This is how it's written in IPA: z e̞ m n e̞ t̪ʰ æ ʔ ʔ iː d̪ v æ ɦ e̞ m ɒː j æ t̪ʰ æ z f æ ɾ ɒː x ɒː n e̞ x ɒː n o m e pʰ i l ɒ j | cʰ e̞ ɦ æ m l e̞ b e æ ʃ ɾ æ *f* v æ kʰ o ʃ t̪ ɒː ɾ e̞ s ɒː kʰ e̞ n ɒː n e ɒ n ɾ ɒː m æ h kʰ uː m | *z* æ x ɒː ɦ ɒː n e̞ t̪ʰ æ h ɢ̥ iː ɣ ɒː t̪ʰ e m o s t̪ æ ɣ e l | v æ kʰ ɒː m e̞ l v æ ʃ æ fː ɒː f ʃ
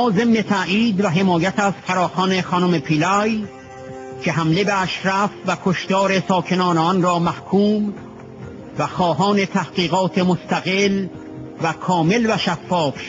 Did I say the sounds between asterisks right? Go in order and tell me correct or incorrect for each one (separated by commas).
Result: correct, incorrect